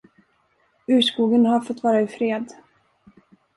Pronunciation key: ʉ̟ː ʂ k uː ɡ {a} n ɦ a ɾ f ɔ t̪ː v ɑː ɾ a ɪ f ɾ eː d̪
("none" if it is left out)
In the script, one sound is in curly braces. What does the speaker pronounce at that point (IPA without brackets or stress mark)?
ə